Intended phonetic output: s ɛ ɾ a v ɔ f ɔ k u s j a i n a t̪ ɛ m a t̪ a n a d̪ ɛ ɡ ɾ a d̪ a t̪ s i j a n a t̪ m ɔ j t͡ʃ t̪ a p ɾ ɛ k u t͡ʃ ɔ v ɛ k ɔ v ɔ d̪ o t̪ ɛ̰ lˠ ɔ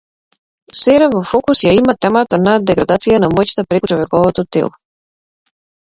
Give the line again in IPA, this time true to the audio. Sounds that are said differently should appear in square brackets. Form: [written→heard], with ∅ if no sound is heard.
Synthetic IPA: s ɛ ɾ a v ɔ f ɔ k u s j a i [n→m] a t̪ ɛ m a t̪ a n a d̪ ɛ ɡ ɾ a d̪ a t̪ s i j a n a [t̪→∅] m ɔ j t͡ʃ t̪ a p ɾ ɛ k u t͡ʃ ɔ v ɛ k ɔ v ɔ [d̪→t̪] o t̪ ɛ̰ lˠ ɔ